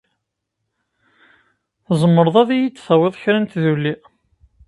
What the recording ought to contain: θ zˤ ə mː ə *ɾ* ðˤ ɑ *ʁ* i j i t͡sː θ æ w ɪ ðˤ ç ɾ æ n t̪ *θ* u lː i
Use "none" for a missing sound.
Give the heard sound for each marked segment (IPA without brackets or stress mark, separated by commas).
ɾ, ð, ð